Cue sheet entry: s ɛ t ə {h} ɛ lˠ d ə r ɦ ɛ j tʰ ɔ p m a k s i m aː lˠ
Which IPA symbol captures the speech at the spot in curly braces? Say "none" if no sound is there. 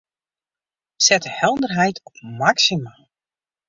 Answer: h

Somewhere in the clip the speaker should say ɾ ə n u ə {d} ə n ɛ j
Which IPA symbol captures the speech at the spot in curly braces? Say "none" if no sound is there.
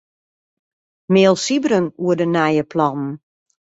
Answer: d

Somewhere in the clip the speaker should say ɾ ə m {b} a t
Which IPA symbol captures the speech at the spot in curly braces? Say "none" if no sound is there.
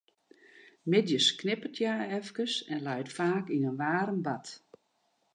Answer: b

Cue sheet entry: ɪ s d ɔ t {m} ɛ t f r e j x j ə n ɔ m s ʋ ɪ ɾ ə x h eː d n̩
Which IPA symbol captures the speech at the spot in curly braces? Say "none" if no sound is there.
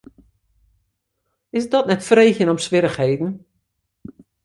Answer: n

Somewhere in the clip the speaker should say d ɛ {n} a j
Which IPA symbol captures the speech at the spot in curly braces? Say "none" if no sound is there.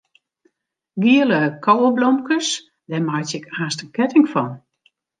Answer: m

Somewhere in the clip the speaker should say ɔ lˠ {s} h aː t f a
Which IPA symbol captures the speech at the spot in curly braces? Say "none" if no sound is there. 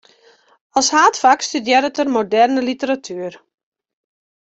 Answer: s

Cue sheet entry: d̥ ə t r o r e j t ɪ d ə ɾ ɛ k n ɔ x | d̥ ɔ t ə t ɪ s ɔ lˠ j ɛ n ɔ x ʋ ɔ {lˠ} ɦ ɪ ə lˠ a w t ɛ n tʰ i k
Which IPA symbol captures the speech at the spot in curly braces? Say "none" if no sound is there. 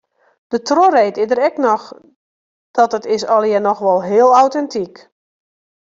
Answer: lˠ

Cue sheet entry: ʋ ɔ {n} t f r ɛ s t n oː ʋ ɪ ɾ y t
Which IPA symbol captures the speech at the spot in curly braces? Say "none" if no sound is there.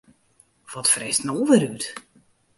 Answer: none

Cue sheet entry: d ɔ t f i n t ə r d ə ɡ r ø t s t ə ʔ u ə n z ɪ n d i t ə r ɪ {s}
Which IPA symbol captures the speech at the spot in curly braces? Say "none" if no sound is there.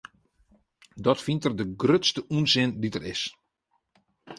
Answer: s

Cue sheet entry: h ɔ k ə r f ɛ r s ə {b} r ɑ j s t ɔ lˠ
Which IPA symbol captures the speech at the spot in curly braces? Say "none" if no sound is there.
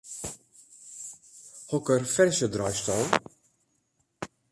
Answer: d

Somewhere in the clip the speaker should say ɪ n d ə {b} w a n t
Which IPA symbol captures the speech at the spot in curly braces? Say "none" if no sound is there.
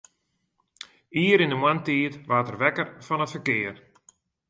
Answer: m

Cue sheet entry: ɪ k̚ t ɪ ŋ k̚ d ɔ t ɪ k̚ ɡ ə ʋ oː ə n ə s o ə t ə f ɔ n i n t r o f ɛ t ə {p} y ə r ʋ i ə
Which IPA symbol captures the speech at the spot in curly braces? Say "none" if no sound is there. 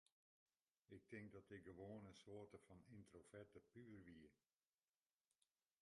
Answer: p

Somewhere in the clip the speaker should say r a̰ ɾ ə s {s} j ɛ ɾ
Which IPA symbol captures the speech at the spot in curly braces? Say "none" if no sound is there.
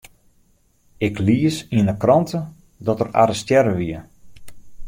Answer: t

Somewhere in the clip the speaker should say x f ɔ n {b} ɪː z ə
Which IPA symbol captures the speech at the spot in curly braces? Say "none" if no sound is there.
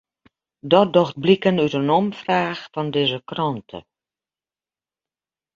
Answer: d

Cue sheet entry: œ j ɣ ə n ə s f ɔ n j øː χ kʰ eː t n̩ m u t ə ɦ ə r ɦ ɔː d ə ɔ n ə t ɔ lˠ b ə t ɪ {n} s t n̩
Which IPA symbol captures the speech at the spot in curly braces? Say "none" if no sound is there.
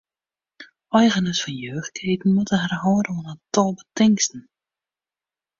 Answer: ŋ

